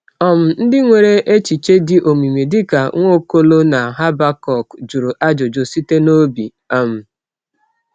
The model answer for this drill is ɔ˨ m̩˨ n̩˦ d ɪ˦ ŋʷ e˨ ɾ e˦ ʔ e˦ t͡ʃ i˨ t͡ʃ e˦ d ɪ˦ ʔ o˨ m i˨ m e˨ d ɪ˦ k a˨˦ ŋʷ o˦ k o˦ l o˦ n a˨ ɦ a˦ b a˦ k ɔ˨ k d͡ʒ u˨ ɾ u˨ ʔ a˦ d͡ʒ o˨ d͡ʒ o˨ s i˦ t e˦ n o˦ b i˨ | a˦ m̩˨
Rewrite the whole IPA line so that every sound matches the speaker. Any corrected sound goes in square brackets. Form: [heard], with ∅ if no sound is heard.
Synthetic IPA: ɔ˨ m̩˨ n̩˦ d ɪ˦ ŋʷ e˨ ɾ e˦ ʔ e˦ t͡ʃ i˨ t͡ʃ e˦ d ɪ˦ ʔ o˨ m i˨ m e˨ d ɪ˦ k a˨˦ ŋʷ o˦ k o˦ l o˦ n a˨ ɦ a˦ b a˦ k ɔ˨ k d͡ʒ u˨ ɾ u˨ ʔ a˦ d͡ʒ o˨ d͡ʒ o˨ s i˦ t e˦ n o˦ b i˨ | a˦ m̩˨